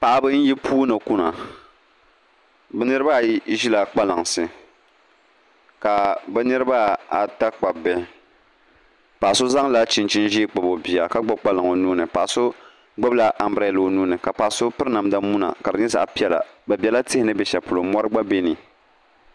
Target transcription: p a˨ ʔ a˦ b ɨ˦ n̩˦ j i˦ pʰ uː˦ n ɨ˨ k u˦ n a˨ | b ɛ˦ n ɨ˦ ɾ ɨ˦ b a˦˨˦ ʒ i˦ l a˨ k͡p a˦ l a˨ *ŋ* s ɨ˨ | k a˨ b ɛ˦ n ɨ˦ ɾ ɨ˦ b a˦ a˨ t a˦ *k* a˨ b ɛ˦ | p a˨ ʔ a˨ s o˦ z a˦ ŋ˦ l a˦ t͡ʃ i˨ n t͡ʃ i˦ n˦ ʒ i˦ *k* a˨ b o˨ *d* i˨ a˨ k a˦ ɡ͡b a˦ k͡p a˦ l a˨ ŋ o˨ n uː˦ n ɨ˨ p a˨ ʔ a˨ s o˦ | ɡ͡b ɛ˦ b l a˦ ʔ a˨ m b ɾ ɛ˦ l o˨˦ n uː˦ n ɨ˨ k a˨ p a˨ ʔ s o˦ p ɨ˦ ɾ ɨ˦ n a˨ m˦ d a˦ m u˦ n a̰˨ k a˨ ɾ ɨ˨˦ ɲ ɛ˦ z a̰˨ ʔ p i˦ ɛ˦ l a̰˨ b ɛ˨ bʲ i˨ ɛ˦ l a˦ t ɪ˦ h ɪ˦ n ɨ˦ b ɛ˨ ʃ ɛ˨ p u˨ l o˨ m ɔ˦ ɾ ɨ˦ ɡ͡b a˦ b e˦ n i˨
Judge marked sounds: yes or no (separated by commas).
yes, no, no, no